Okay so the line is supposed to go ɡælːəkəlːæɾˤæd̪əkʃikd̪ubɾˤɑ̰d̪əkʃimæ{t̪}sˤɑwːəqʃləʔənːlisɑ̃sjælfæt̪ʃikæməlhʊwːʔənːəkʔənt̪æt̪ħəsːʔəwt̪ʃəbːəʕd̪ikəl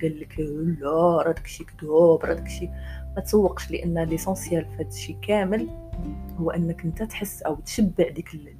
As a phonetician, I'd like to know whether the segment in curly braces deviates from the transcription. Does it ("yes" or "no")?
no